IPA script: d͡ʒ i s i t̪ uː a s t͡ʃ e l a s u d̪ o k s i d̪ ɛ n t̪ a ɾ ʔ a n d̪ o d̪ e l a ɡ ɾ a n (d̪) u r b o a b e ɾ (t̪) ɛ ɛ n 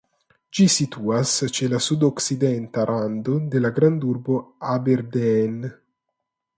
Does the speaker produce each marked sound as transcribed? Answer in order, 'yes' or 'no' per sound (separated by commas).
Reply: yes, no